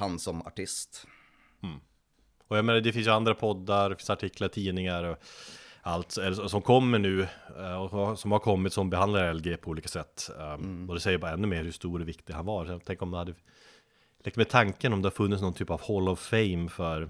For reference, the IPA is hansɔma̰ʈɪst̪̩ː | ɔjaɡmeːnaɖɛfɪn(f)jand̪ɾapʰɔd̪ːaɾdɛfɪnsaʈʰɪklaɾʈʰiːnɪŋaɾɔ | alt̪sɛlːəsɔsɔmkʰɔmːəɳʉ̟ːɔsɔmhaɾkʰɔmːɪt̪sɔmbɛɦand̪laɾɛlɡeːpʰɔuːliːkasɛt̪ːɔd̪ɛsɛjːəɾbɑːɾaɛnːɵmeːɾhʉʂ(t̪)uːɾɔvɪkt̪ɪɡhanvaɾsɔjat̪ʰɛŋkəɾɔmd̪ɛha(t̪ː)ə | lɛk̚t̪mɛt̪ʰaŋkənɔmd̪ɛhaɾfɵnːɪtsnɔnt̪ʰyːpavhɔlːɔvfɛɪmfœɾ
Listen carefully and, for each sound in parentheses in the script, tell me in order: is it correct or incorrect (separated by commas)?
incorrect, correct, incorrect